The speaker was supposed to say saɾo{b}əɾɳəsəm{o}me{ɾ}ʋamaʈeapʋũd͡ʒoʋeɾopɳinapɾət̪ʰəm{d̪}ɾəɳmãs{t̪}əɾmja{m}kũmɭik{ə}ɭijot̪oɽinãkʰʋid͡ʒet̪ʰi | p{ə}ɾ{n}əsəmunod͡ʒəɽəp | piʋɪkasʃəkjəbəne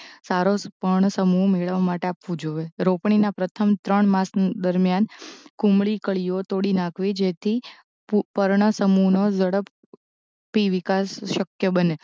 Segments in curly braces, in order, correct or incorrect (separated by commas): incorrect, incorrect, incorrect, incorrect, incorrect, incorrect, correct, correct, incorrect